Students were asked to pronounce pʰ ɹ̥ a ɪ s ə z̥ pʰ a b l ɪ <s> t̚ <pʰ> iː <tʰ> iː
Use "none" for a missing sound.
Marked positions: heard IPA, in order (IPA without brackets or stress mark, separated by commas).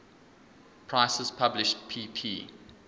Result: ʃ, pʰ, pʰ